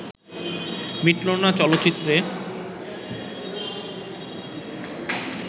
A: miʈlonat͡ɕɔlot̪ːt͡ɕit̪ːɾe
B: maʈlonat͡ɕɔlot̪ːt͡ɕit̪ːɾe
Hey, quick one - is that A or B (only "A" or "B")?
A